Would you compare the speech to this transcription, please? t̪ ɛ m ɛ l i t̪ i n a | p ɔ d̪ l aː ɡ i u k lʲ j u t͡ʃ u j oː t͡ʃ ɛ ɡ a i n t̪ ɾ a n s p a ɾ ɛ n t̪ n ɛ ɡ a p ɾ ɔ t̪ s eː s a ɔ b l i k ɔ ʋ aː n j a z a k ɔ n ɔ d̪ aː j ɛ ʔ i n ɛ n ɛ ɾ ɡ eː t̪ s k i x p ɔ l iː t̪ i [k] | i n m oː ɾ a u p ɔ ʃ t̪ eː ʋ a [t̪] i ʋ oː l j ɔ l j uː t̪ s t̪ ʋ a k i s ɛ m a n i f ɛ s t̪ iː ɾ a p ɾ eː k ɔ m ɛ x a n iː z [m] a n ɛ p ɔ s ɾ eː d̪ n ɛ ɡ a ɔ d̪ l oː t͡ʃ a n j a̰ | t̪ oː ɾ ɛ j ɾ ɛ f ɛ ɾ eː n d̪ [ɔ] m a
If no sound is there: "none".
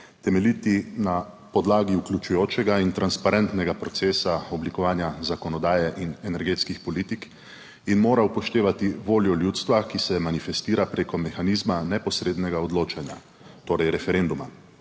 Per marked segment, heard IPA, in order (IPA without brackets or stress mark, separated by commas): k, t̪, m, u